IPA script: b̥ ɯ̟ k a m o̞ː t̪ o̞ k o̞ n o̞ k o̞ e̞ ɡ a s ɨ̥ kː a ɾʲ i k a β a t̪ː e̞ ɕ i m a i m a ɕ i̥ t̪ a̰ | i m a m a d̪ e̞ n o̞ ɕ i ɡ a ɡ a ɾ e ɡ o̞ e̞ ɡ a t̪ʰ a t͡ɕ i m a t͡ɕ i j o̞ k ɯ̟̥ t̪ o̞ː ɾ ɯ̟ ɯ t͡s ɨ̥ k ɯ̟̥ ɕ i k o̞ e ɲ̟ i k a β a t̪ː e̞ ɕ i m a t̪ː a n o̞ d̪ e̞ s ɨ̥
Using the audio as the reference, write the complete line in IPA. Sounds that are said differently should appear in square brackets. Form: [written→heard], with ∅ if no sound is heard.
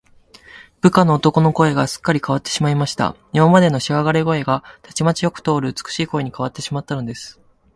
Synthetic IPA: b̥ ɯ̟ k a [m→n] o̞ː t̪ o̞ k o̞ n o̞ k o̞ e̞ ɡ a s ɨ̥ kː a ɾʲ i k a β a t̪ː e̞ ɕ i m a i m a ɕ i̥ t̪ a̰ | i m a m a d̪ e̞ n o̞ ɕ i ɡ a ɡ a ɾ e ɡ o̞ e̞ ɡ a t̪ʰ a t͡ɕ i m a t͡ɕ i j o̞ k ɯ̟̥ t̪ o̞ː ɾ ɯ̟ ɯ t͡s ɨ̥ k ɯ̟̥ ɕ [i→iː] k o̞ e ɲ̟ i k a β a t̪ː e̞ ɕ i m a t̪ː a n o̞ d̪ e̞ s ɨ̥